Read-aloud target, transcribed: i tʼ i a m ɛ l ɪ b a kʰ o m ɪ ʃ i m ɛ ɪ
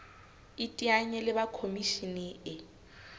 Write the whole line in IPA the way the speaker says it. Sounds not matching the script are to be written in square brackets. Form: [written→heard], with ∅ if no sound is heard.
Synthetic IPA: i tʼ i a [m→ɲ] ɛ l ɪ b a kʰ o m [ɪ→i] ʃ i [m→n] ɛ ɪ

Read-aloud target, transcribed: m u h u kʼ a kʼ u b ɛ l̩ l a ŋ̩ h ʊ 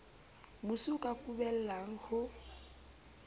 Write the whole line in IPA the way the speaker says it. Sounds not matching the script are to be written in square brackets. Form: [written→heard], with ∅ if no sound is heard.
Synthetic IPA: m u [h→s] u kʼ a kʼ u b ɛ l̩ l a ŋ̩ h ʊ

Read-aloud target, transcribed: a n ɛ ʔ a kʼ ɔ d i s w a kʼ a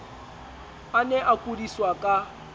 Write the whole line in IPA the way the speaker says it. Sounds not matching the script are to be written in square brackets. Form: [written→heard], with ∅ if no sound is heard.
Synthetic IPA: a n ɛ ʔ a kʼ [ɔ→u] d i s w a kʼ a

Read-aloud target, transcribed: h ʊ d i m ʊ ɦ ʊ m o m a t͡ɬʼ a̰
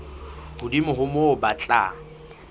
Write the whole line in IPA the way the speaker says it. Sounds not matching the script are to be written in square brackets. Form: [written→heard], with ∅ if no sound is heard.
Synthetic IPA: h ʊ d i m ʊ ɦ ʊ m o [m→b] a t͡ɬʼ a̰

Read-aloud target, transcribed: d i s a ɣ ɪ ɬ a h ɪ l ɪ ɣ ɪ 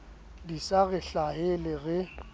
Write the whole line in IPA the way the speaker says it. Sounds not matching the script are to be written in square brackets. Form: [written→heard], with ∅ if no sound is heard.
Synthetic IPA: d i s a ɣ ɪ ɬ a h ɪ l ɪ ɣ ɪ

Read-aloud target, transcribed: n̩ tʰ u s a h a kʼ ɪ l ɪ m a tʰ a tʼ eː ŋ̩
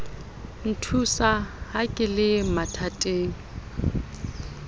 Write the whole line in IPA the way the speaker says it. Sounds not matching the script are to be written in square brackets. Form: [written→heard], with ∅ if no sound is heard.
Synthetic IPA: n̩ tʰ u s a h a kʼ ɪ l ɪ m a tʰ a tʼ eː ŋ̩

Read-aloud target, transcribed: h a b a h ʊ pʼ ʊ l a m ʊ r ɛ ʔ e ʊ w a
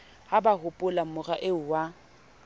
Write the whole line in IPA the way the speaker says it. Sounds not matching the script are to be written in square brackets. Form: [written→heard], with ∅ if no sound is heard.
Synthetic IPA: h a b a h ʊ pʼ ʊ l a m ʊ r [ɛ→a] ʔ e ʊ w a

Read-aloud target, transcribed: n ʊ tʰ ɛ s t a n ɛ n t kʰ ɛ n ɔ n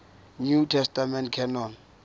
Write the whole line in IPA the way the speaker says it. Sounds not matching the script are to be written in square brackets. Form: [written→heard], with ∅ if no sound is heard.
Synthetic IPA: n [ʊ→u] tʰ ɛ s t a [n→m] ɛ n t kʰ ɛ n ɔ n

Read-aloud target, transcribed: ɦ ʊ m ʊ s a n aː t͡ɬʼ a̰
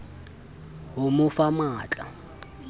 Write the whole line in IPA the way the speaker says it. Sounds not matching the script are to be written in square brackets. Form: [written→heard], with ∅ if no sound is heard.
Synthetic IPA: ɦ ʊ m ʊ [s→f] a [n→m] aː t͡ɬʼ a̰

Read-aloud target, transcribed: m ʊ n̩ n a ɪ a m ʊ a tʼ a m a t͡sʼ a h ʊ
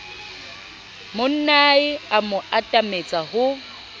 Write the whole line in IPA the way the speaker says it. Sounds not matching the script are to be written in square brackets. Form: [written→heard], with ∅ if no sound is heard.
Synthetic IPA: m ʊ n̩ n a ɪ a m ʊ a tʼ a m [a→e] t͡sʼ a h ʊ

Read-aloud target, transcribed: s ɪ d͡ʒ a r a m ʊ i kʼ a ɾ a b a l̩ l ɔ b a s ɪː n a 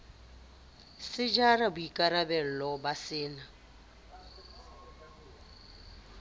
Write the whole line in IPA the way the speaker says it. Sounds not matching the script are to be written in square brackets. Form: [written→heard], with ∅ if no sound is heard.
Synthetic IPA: s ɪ d͡ʒ a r a [m→b] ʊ i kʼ a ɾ a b [a→ɛ] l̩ l ɔ b a s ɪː n a

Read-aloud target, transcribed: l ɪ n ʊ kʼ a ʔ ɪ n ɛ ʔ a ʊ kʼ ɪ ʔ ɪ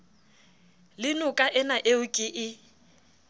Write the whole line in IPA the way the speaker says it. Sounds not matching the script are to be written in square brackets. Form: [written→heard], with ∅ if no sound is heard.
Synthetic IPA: l ɪ n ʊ kʼ a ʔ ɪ n [ɛ→a] ʔ [a→e] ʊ kʼ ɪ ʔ ɪ

